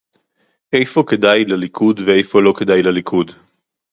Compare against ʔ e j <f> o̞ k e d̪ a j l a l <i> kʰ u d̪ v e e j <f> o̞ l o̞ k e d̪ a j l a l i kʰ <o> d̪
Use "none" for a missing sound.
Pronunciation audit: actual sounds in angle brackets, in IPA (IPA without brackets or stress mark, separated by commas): f, i, f, u